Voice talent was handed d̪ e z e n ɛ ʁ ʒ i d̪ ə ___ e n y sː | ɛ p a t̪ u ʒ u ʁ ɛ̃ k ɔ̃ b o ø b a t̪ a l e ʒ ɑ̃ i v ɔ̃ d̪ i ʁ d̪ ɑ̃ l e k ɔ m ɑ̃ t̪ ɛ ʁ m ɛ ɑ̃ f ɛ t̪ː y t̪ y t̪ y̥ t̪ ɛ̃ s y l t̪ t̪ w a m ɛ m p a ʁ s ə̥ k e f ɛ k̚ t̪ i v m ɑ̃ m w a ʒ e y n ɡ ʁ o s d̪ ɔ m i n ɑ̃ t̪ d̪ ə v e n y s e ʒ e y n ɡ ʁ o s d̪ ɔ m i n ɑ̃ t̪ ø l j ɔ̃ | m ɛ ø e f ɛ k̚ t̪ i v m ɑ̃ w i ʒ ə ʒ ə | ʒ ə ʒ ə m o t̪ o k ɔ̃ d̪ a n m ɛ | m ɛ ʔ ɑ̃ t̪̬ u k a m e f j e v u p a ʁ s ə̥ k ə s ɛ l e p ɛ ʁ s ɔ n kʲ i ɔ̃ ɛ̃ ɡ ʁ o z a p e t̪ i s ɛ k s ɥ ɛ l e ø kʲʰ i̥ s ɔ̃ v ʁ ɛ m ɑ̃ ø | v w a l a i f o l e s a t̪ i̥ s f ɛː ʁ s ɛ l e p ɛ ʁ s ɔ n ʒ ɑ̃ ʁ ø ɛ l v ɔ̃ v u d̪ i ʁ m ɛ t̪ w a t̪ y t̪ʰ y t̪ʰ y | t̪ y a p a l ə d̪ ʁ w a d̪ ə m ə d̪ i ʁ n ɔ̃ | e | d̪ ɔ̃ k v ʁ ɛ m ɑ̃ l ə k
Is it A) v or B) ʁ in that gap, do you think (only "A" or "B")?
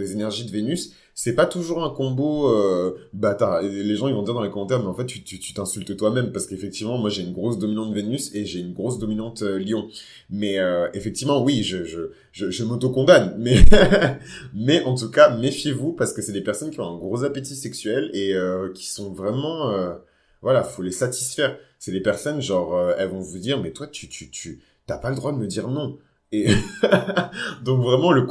A